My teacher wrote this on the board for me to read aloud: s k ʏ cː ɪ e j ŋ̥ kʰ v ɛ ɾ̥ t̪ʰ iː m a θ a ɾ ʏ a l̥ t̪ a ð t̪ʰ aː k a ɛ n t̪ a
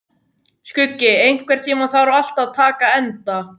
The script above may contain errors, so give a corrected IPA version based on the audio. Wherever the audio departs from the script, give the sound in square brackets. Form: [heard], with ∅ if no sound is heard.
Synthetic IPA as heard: s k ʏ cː ɪ e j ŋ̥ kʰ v ɛ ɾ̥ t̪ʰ iː m a θ a ɾ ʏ a l̥ t̪ a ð t̪ʰ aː k a ɛ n t̪ a